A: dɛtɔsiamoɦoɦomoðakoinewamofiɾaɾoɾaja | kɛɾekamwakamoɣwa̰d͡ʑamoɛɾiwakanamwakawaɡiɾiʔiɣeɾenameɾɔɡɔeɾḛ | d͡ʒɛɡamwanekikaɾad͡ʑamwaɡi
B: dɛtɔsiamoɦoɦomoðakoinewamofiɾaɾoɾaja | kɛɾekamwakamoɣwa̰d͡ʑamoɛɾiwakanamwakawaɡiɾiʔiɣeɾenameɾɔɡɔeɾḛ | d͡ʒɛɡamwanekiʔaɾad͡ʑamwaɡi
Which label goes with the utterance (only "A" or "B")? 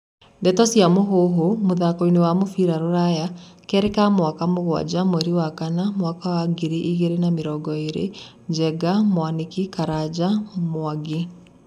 A